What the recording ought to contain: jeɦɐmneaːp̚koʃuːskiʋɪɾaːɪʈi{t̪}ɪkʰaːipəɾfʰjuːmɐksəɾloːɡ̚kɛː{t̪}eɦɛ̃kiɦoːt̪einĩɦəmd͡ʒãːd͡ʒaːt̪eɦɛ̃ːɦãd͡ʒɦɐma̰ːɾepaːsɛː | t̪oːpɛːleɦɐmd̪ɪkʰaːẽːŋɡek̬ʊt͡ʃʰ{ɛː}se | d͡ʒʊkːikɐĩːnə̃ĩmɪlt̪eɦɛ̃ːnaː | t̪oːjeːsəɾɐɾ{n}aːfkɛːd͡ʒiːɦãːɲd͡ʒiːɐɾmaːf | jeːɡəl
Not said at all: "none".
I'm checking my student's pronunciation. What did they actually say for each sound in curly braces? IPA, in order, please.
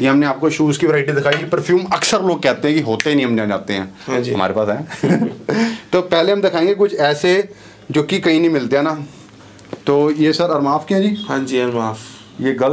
d̪, t̪, ɛː, m

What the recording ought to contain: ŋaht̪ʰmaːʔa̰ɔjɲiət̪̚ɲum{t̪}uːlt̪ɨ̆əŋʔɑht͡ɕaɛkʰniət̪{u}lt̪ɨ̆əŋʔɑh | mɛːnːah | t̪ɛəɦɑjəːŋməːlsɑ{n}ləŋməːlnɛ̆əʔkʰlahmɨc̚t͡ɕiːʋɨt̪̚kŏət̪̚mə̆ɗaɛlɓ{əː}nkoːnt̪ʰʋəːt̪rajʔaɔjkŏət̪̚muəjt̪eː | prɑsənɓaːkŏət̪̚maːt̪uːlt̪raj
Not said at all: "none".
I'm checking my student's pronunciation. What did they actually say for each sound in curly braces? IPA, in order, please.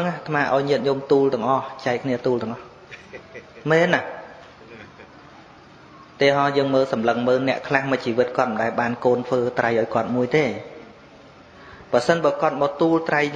t̪, uː, m, aː

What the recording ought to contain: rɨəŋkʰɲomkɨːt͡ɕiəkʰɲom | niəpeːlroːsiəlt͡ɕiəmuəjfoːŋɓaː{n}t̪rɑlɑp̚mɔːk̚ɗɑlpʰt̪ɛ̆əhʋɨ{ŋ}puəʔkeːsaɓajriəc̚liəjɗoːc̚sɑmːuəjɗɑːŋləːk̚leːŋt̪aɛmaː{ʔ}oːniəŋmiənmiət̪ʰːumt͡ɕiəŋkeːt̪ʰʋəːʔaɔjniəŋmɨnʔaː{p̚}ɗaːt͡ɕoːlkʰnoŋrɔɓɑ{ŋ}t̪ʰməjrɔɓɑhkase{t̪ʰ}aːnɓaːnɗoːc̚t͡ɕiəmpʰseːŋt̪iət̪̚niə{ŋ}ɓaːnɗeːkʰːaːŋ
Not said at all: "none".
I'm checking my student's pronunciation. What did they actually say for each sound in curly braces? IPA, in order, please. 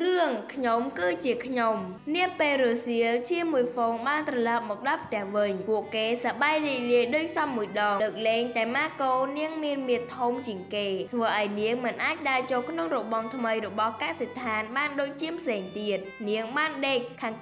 n, ɲ, k, c̚, ŋ, t̪ʰ, ŋ

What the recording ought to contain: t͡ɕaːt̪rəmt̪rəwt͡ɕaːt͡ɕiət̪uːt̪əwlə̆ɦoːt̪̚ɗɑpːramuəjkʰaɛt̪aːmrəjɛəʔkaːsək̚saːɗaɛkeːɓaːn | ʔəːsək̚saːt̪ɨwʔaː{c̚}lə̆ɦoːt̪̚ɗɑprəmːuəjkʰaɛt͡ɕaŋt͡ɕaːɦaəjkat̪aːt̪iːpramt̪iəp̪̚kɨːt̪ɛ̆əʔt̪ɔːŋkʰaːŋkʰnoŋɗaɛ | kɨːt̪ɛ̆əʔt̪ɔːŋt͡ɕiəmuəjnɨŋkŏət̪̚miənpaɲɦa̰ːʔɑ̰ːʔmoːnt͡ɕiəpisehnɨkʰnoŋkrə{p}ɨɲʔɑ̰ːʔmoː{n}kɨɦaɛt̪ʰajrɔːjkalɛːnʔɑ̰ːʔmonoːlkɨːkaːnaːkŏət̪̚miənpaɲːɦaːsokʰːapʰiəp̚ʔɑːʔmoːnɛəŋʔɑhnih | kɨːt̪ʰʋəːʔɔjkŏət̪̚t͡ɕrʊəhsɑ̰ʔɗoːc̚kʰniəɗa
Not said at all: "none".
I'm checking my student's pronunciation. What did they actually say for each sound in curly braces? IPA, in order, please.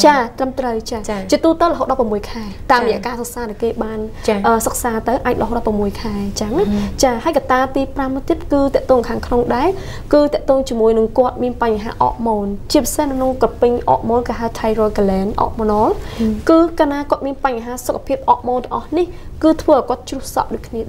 c̚, p, n

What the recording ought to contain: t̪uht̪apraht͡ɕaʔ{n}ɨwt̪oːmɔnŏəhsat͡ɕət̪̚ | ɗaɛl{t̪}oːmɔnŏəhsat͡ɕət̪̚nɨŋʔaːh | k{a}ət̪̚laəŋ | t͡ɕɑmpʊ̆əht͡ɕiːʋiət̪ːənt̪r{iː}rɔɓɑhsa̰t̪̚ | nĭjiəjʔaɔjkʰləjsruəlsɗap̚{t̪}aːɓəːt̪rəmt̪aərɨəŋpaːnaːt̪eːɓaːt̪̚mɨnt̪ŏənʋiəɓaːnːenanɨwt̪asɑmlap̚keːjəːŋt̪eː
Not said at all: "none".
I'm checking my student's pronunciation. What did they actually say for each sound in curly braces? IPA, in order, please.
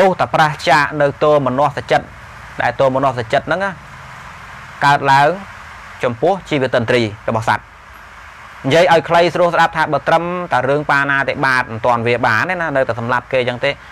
n, t̪, a, iː, t̪ʰ

